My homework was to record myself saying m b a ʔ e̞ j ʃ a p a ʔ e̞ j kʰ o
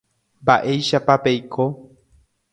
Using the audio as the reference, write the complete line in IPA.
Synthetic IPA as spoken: m b a ʔ e̞ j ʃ a p a p e̞ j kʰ o